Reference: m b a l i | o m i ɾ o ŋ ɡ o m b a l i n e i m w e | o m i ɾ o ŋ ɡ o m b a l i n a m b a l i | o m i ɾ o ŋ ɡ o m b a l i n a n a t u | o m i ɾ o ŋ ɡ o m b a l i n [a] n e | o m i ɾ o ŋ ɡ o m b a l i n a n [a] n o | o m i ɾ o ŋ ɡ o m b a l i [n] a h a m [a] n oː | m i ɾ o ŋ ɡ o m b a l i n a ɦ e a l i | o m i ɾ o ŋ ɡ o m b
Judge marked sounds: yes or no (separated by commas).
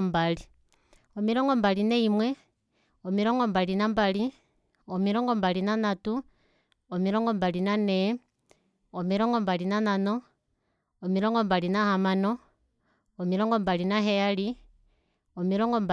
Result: yes, yes, yes, yes